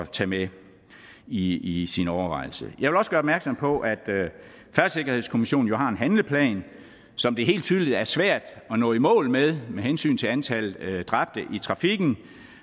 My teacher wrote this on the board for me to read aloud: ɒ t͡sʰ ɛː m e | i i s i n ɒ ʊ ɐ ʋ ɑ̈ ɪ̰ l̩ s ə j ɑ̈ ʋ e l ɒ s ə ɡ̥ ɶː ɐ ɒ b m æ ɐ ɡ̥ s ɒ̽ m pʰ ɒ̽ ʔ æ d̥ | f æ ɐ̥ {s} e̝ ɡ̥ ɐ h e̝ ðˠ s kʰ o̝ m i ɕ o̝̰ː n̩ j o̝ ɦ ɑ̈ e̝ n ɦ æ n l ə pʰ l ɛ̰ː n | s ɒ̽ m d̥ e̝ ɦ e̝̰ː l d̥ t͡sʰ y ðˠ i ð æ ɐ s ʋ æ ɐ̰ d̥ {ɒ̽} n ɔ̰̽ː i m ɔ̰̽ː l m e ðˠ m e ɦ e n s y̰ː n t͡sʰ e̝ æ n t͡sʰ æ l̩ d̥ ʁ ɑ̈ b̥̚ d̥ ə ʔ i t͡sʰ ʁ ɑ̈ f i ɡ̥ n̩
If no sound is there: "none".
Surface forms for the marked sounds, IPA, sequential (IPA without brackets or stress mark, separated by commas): s, ɒ̽